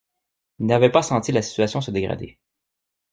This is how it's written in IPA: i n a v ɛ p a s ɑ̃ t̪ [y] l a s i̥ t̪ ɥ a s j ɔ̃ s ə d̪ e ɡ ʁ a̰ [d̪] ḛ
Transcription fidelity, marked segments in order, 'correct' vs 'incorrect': incorrect: i, correct

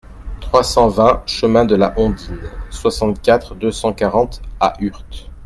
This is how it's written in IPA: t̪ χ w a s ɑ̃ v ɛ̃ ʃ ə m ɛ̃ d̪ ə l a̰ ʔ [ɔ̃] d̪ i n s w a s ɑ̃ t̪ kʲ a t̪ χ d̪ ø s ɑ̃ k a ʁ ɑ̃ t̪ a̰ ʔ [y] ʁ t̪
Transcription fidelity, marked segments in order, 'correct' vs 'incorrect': correct, correct

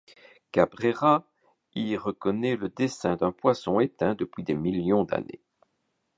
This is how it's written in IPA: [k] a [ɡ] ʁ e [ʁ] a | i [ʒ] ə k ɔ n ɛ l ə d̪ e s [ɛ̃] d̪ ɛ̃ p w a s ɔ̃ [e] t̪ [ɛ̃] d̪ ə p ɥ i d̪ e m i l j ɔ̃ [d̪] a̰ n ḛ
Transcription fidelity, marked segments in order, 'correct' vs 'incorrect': correct, incorrect: b, correct, incorrect: ʁ, correct, correct, correct, correct

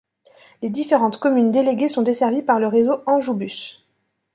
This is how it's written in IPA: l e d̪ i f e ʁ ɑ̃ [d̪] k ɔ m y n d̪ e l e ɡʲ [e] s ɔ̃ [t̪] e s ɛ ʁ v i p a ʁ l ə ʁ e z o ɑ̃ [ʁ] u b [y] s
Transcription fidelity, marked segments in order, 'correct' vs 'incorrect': incorrect: t̪, correct, incorrect: d̪, incorrect: ʒ, correct

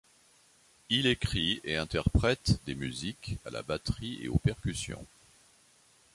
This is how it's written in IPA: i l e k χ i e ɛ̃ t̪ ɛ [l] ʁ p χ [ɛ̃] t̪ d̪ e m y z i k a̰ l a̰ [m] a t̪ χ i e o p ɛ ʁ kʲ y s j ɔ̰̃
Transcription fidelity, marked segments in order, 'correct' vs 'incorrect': incorrect: none, incorrect: ɛ, incorrect: b

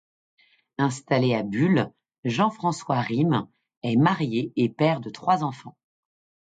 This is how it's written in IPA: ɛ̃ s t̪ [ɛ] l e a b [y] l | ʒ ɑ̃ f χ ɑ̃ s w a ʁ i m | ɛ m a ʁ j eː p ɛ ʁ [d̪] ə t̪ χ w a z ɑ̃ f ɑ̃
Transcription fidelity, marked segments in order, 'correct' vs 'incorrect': incorrect: a, correct, correct

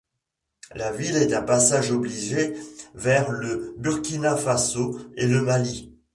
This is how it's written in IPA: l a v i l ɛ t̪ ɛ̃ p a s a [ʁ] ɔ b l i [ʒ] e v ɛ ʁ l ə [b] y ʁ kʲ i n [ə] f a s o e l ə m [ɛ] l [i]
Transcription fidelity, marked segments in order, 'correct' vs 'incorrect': incorrect: ʒ, correct, correct, incorrect: a, incorrect: a, correct

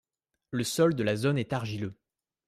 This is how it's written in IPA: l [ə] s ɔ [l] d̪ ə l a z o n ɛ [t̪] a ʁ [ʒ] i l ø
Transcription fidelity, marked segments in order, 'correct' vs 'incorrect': correct, correct, correct, correct

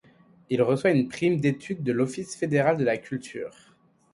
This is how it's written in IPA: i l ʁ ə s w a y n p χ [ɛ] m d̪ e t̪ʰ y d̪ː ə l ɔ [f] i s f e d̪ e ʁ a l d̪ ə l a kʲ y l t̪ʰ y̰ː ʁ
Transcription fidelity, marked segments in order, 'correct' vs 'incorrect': incorrect: i, correct

